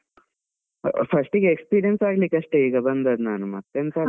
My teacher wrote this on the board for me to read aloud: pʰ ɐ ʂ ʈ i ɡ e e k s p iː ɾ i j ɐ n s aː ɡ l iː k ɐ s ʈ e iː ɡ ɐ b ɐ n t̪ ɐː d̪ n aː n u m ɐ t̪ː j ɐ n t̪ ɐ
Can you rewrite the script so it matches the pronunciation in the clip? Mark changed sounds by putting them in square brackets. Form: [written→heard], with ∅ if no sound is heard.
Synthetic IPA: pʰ ɐ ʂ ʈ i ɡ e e k s p iː ɾ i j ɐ n s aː ɡ l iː k ɐ [s→ʂ] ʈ e iː ɡ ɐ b ɐ n [t̪→d̪] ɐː d̪ n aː n u m ɐ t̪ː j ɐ n t̪ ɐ

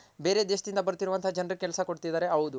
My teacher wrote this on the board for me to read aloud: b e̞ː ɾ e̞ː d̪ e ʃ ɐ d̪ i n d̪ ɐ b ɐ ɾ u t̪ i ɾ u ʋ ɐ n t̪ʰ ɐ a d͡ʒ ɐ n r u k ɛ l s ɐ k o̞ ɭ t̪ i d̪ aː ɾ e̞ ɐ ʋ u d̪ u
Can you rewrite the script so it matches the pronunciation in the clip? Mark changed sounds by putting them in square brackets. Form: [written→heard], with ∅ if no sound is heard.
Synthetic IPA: b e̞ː ɾ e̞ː d̪ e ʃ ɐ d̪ i n d̪ ɐ b ɐ ɾ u t̪ i ɾ u ʋ ɐ n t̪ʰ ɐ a d͡ʒ ɐ n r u k ɛ l s ɐ k o̞ [ɭ→ɽ] t̪ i d̪ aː ɾ e̞ ɐ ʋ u d̪ u

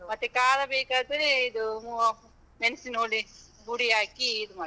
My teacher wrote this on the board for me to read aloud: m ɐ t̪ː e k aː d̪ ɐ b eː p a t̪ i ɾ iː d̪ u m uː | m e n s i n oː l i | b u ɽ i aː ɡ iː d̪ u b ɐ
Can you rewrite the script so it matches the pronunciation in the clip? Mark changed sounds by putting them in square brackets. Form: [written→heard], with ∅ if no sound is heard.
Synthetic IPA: m ɐ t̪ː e k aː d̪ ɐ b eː [p→k] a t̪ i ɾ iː d̪ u m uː | m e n s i n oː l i | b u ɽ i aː [ɡ→k] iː d̪ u [b→m] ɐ

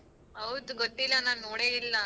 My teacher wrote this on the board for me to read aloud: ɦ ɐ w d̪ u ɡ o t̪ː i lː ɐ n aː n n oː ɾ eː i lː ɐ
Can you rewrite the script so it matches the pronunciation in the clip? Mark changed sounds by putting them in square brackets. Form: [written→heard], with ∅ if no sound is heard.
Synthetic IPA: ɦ ɐ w d̪ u ɡ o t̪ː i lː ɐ n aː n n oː [ɾ→ɽ] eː i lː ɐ

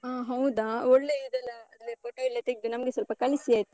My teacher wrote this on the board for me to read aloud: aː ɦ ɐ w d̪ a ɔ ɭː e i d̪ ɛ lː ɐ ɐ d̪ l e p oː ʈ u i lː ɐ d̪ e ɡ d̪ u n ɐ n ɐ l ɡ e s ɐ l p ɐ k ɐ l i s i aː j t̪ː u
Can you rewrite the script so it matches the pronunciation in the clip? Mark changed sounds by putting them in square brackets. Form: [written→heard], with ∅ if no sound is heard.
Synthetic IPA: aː ɦ ɐ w d̪ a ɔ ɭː e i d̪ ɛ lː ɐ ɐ d̪ l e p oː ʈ [u→o] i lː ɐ [d̪→t̪] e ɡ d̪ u n ɐ [n→m] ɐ [l→∅] ɡ e s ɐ l p ɐ k ɐ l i s i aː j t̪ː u

